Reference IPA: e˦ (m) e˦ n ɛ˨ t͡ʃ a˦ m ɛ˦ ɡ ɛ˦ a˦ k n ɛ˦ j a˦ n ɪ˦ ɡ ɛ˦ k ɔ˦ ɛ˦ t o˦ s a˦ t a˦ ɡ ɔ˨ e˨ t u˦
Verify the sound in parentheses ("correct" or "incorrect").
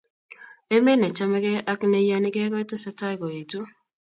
correct